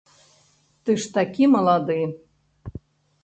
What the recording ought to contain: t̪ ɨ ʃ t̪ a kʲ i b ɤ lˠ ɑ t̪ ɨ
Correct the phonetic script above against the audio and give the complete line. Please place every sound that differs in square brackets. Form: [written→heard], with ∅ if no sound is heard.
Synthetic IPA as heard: t̪ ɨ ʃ t̪ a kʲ i [b→m] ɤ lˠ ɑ [t̪→d̪] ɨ